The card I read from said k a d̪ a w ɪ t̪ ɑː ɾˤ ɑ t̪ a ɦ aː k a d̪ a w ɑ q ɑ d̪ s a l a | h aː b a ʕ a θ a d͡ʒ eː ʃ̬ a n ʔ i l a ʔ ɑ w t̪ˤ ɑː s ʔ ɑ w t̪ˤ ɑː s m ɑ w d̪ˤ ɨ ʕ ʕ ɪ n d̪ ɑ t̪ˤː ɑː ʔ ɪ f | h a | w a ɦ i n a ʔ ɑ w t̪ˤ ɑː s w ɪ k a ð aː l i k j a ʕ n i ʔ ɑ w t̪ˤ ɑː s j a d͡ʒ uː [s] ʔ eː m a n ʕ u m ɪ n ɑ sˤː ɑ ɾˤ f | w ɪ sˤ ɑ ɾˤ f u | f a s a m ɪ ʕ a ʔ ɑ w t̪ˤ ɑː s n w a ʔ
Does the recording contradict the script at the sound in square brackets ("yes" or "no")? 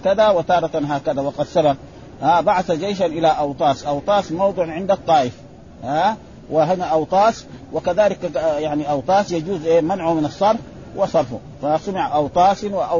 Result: yes